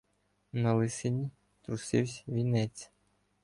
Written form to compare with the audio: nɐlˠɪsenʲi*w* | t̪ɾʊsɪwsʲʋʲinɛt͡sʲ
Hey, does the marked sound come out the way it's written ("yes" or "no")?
no